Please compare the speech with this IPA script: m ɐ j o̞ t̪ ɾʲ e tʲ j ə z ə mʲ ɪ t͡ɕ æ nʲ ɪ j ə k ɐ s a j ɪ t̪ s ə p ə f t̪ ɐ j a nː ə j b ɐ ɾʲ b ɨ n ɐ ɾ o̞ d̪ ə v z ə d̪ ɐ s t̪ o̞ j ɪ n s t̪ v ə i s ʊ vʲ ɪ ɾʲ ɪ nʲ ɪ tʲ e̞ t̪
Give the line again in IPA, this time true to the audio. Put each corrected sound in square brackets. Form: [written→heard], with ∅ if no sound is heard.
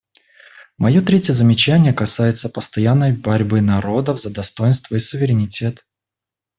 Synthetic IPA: m ɐ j o̞ t̪ ɾʲ e tʲ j ə z ə mʲ ɪ t͡ɕ æ nʲ ɪ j ə k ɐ s a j ɪ t̪ s ə p ə [f→s] t̪ ɐ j a nː ə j b ɐ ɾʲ b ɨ n ɐ ɾ o̞ d̪ ə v z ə d̪ ɐ s t̪ o̞ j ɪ n s t̪ v ə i s ʊ vʲ ɪ ɾʲ ɪ nʲ ɪ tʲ e̞ t̪